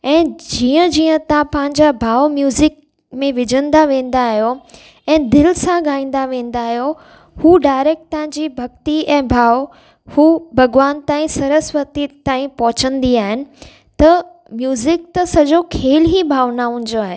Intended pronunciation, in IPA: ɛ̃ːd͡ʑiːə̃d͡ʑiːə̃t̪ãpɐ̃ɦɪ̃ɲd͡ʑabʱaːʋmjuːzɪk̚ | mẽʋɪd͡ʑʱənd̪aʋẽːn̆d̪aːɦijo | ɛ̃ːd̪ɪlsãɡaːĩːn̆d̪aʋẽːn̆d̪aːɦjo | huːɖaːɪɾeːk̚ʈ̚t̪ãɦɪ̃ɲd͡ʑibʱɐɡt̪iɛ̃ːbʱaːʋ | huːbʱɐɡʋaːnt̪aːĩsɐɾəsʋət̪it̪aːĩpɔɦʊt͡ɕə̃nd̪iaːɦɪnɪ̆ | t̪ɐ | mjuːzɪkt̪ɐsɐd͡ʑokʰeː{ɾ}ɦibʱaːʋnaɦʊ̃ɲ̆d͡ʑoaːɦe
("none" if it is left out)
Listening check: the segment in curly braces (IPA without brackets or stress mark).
l